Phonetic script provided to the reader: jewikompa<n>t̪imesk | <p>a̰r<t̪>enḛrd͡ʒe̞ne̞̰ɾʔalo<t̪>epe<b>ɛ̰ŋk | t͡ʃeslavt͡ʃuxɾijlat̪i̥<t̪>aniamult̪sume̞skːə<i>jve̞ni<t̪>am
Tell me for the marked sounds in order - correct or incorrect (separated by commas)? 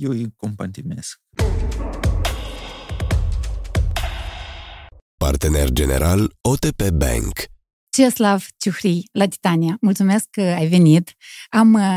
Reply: correct, correct, correct, correct, correct, correct, incorrect, correct